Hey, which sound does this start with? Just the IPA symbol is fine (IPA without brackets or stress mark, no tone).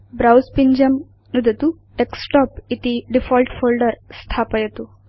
b